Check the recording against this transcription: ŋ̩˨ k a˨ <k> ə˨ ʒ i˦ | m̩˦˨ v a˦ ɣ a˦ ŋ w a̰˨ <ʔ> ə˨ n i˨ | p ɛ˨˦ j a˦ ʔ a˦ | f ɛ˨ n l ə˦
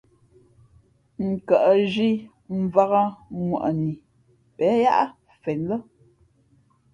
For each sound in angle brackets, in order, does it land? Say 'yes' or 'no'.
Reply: no, yes

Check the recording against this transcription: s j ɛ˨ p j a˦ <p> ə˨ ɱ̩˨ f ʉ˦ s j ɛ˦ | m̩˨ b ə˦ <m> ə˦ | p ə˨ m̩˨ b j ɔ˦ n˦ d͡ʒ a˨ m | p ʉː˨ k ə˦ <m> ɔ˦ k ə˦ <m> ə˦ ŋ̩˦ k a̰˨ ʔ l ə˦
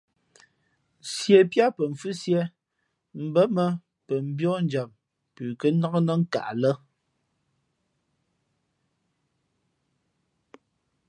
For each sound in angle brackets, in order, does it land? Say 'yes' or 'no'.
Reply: yes, yes, no, no

